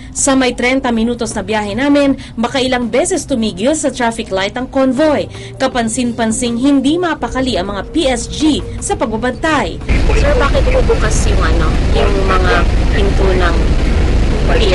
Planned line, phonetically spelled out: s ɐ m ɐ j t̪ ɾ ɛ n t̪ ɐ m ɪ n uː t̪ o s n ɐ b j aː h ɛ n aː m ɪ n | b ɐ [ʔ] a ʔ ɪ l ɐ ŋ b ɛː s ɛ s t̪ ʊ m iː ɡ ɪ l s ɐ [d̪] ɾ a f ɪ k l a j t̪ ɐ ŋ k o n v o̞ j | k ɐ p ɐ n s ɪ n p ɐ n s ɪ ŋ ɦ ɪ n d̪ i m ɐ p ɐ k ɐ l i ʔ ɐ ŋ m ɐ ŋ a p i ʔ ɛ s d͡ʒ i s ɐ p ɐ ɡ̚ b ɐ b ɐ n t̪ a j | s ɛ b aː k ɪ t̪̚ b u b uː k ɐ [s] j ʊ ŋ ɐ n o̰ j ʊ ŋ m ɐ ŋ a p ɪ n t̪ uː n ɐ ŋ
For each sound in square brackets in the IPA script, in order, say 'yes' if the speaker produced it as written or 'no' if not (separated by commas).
no, no, yes